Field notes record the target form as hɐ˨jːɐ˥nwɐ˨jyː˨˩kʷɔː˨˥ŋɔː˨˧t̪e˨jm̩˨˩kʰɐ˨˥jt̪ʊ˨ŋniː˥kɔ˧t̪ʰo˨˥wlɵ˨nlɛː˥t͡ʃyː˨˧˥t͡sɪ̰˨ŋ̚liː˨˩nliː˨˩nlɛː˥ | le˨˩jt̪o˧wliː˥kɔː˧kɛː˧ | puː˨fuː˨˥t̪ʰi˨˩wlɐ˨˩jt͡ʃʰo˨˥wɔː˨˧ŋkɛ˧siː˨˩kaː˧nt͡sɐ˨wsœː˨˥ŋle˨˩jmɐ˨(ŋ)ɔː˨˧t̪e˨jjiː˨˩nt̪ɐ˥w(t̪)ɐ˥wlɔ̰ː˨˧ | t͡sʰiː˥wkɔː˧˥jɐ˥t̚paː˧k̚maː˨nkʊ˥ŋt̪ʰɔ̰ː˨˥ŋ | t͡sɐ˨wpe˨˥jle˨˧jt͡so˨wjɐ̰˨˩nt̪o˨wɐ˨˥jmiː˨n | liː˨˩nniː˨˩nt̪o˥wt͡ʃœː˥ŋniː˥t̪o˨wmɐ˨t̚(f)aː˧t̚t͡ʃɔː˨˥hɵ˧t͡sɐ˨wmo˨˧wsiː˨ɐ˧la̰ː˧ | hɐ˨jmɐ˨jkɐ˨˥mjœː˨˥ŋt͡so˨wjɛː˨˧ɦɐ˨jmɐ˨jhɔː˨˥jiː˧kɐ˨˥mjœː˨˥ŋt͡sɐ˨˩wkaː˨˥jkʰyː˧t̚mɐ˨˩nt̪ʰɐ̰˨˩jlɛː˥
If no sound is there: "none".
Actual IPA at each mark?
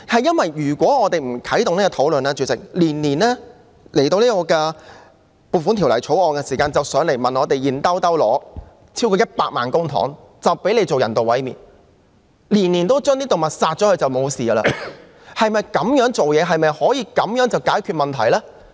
n, t̪, s

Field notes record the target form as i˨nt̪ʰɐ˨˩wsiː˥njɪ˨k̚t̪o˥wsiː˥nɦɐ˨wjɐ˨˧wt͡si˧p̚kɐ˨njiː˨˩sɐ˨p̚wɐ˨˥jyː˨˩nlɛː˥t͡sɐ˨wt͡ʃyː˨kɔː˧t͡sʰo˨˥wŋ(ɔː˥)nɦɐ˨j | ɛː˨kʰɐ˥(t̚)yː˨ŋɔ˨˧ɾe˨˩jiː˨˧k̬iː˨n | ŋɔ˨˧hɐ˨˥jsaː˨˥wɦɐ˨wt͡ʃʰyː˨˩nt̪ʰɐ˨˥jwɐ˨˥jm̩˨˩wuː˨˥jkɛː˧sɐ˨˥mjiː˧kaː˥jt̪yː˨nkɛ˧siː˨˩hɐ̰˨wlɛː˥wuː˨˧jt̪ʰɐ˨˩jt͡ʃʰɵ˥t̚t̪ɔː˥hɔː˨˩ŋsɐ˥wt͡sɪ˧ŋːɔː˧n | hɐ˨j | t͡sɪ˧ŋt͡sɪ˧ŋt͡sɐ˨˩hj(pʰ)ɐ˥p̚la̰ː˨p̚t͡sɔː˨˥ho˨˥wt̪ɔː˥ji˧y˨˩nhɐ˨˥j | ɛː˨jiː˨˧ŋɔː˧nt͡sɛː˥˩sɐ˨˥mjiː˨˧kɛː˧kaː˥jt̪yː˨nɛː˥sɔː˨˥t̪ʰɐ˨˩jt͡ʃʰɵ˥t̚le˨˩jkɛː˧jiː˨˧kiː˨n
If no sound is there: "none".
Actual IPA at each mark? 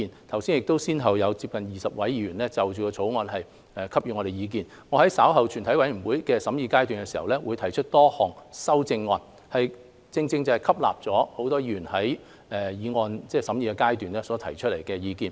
ɔː˧, p̚, kʰ

